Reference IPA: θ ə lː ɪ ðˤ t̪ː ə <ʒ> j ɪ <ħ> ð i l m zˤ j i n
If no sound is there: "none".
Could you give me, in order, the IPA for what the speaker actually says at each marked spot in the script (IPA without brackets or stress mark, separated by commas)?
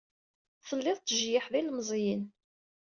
ʒ, ħ